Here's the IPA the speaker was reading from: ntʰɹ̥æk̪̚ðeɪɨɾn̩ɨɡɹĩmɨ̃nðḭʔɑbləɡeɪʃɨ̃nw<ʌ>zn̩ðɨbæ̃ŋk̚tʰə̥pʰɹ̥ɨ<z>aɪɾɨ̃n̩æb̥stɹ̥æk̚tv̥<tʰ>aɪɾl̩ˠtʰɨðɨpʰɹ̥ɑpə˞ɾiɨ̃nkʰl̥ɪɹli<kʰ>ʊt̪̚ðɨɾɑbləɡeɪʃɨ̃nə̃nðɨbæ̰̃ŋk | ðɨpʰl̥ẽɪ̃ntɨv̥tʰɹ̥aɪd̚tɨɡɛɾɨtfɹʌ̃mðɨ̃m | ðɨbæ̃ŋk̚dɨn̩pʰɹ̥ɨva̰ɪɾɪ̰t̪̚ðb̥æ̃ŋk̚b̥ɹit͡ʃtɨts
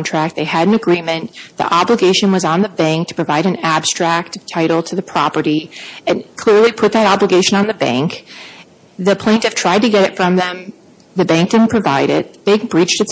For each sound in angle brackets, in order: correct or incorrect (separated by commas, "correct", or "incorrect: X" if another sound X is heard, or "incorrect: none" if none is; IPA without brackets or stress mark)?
correct, incorrect: v, correct, incorrect: pʰ